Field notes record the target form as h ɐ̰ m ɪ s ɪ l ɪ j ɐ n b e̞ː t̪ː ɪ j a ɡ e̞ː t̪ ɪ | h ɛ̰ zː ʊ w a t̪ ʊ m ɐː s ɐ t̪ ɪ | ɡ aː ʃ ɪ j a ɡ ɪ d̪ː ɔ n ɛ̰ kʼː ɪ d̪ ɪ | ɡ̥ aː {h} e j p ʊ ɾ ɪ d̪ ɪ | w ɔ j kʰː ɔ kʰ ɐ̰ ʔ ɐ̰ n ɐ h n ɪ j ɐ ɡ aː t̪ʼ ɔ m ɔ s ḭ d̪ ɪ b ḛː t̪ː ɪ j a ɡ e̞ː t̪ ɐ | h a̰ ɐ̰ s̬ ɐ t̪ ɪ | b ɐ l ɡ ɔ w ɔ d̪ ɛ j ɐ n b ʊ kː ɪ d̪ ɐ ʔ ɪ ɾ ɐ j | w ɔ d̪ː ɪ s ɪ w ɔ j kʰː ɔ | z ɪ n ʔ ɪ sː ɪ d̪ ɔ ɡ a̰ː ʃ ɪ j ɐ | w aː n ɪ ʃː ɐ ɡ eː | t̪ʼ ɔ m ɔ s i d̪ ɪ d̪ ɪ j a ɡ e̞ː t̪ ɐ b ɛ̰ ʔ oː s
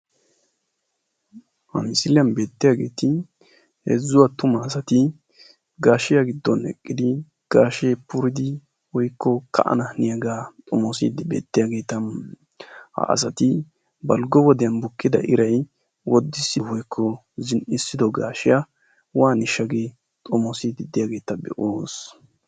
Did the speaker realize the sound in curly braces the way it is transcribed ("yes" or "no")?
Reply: no